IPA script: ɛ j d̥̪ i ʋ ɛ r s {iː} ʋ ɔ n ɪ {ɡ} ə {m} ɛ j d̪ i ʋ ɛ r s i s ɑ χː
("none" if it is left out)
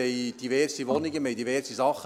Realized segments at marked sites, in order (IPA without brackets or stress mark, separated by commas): i, ɡ, m